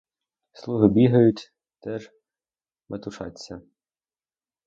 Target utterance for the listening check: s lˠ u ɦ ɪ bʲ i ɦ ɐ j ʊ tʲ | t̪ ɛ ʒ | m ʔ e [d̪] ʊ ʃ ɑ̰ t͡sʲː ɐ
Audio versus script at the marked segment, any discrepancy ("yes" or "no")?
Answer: yes